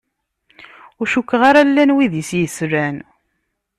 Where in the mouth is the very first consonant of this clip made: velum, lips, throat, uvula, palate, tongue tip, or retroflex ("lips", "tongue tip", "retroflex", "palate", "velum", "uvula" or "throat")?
tongue tip